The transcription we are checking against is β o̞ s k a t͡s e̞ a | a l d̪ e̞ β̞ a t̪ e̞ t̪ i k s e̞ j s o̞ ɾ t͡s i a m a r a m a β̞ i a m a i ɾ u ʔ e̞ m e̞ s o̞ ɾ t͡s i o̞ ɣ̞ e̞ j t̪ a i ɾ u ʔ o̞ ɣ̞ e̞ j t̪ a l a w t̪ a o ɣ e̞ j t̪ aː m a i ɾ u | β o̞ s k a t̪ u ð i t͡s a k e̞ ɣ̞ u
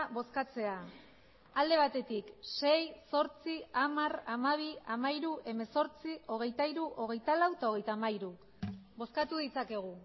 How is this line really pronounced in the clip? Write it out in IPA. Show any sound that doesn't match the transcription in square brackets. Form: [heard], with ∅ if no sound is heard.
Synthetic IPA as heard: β o̞ s k a t͡s e̞ a | a l d̪ e̞ β̞ a t̪ e̞ t̪ i k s e̞ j s o̞ ɾ t͡s i a m a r a m a β̞ i a m a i ɾ u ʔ e̞ m e̞ s o̞ ɾ t͡s i o̞ ɣ̞ e̞ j t̪ a i ɾ u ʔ o̞ ɣ̞ e̞ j t̪ a l a w t̪ a o ɣ e̞ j t̪ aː m a i ɾ u | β o̞ s k a t̪ u ð i t͡s a k e̞ ɣ̞ u